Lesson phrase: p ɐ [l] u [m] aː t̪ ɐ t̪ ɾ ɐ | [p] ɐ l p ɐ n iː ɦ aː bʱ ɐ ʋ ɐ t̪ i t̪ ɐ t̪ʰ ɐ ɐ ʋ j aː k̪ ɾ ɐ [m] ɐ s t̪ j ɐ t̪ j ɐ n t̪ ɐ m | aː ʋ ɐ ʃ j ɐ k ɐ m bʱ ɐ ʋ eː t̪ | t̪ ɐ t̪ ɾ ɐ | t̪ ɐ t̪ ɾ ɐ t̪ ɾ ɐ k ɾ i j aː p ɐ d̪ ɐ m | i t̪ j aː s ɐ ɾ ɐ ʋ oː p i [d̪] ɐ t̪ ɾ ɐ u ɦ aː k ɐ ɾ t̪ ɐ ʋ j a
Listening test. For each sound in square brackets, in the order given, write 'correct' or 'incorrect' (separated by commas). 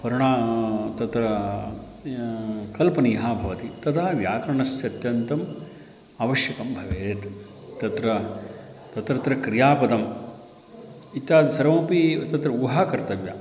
incorrect, incorrect, incorrect, incorrect, incorrect